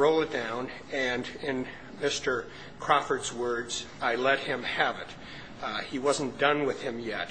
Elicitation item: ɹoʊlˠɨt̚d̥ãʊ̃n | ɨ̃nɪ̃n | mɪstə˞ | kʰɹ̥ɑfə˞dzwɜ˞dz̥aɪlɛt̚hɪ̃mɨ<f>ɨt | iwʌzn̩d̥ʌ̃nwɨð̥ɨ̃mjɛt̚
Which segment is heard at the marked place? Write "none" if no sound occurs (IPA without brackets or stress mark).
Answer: v